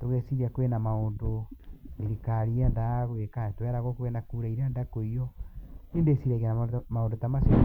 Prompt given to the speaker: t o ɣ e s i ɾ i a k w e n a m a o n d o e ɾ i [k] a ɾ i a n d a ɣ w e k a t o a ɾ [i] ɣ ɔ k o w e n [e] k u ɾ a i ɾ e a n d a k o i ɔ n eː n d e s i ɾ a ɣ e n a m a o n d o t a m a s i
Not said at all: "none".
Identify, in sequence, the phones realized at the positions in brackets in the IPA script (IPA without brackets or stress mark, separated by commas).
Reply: k, a, a